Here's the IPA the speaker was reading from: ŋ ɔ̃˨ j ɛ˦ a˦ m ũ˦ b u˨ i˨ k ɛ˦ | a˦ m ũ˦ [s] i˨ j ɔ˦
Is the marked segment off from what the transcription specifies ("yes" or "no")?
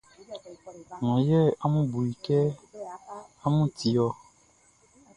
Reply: yes